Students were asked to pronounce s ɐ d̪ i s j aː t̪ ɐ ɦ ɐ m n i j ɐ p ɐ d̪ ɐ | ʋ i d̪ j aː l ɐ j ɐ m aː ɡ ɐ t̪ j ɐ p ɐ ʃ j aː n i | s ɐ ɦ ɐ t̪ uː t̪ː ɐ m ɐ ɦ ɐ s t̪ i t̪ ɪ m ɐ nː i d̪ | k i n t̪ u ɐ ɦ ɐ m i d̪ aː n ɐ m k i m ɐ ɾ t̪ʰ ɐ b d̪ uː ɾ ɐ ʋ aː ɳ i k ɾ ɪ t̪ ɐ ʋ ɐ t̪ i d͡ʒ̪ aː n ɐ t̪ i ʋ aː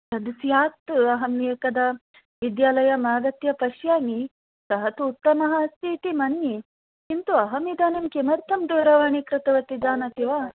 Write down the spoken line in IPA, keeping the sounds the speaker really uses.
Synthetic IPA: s ɐ d̪ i s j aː t̪ ɐ ɦ ɐ m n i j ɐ k ɐ d̪ ɐ | ʋ i d̪ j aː l ɐ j ɐ m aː ɡ ɐ t̪ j ɐ p ɐ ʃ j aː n i | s ɐ ɦ ɐ t̪ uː t̪ː ɐ m ɐ ɦ ɐ s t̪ i t̪ i m ɐ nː i | k i n t̪ u ɐ ɦ ɐ m i d̪ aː n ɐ m k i m ɐ ɾ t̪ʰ ɐ m d̪ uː ɾ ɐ ʋ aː ɳ i k ɾ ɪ t̪ ɐ ʋ ɐ t̪ i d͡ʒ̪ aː n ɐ t̪ i ʋ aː